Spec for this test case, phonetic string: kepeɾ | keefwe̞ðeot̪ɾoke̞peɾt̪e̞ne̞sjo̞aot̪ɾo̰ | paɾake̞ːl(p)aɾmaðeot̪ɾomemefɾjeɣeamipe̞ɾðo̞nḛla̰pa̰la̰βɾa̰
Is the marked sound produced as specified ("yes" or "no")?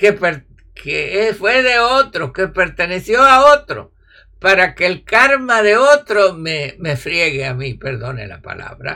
no